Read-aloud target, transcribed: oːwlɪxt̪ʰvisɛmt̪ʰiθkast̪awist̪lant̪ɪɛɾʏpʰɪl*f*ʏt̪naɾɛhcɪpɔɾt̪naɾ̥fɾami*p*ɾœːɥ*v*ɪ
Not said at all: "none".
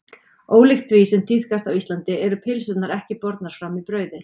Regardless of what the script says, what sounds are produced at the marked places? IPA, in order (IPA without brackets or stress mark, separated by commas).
s, p, ð